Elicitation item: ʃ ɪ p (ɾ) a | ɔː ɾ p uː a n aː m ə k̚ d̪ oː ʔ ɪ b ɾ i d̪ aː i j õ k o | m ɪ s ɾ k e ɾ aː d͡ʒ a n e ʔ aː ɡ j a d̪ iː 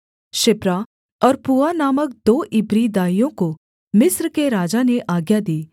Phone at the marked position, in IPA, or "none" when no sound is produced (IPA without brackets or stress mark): ɾ